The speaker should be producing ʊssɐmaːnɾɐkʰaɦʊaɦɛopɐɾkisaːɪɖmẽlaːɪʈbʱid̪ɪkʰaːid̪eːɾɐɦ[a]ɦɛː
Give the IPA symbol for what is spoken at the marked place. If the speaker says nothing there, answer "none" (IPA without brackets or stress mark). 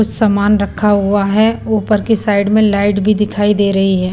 i